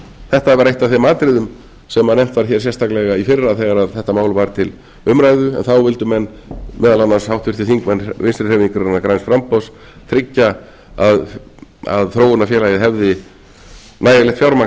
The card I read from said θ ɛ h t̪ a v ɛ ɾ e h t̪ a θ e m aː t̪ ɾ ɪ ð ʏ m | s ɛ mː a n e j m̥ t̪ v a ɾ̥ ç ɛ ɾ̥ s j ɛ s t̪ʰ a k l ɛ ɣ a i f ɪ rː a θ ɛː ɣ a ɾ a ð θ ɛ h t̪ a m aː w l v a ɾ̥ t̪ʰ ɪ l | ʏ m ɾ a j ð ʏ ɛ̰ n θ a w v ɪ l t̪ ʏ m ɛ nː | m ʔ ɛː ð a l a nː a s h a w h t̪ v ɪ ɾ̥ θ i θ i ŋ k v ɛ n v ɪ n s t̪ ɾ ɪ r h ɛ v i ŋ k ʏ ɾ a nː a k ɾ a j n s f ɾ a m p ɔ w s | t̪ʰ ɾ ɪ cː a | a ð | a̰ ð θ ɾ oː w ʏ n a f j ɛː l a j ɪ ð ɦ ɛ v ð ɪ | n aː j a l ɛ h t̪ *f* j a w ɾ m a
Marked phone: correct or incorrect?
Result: correct